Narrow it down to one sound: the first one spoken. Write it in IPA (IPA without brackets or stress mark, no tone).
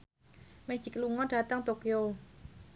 m